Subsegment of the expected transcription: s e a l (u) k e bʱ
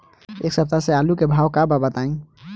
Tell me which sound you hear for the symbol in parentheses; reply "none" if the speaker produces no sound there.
u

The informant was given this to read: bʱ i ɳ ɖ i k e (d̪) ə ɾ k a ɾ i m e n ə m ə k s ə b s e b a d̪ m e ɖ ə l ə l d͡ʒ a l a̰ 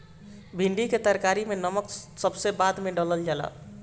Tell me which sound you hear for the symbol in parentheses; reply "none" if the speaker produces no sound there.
t̪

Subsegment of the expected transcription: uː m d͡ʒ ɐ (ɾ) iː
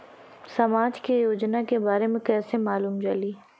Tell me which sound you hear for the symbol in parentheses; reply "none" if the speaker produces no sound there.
l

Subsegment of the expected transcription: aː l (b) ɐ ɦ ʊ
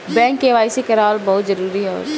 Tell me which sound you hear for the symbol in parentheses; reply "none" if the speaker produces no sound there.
b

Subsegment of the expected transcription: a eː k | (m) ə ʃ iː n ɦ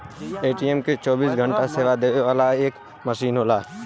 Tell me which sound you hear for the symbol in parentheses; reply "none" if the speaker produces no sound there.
m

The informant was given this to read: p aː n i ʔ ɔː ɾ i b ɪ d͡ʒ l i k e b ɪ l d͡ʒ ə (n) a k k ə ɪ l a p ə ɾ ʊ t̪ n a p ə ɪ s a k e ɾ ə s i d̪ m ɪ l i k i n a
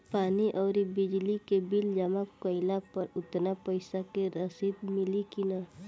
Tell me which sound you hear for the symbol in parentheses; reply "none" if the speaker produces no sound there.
m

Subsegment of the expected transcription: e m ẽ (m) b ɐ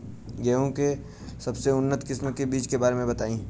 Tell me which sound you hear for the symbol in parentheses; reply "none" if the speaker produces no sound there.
none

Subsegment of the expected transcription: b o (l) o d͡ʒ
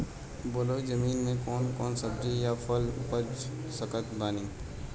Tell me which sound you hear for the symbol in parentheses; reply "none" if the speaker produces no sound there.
l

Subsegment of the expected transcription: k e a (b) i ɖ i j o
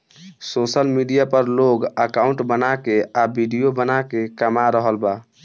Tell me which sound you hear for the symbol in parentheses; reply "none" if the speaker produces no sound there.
b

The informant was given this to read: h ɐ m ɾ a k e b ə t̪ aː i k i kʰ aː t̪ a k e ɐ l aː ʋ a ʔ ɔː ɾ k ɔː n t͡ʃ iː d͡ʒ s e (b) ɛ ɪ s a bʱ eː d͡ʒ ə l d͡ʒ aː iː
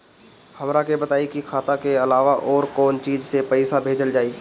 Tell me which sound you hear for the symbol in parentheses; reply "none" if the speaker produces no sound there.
p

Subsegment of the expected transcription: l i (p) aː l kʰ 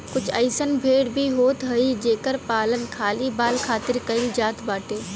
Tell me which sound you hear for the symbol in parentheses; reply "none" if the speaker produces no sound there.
b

